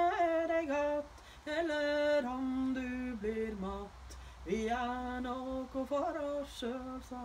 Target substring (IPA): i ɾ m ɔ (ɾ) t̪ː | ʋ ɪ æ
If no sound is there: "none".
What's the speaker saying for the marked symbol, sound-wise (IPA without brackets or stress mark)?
none